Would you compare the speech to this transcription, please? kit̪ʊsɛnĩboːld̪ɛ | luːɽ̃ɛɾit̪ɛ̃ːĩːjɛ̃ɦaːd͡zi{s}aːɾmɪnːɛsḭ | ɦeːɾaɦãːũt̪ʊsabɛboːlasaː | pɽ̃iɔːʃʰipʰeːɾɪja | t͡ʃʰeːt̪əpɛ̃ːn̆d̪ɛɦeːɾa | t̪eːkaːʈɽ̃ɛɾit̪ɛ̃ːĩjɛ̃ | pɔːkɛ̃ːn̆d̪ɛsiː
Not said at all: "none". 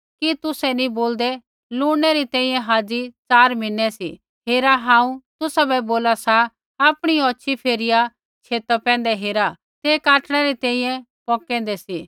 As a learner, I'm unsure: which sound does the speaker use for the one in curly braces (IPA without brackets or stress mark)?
t͡s